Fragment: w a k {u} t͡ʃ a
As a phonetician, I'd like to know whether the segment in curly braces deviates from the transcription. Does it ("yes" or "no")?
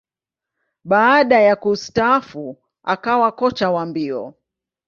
yes